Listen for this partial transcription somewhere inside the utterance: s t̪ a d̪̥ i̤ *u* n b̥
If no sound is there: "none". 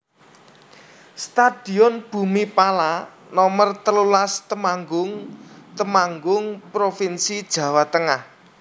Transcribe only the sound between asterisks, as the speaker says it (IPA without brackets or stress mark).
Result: ɔ